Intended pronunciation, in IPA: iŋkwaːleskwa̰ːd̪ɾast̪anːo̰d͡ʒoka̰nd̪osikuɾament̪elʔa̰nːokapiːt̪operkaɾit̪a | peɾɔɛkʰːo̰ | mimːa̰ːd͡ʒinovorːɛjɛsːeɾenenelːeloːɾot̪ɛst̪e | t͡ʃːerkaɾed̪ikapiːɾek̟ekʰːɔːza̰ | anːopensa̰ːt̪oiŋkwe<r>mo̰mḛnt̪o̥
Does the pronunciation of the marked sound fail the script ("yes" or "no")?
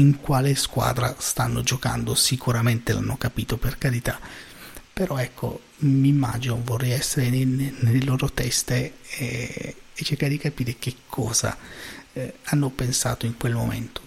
yes